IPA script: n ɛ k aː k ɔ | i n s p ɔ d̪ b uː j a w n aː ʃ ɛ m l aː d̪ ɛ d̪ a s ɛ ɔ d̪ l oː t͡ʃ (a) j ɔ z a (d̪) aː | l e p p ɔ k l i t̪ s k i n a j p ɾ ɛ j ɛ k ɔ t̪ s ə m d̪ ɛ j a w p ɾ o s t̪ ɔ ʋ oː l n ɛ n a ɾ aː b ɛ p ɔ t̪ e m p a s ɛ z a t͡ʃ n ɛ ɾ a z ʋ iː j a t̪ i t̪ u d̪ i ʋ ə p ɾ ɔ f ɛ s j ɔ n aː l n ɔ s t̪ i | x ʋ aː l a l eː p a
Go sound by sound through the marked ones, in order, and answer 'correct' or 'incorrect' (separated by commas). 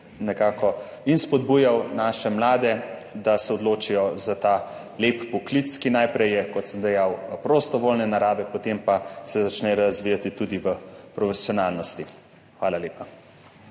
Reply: incorrect, incorrect